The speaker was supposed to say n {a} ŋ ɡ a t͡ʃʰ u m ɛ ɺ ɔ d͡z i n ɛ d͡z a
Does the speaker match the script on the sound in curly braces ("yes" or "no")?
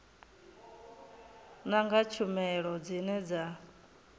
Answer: yes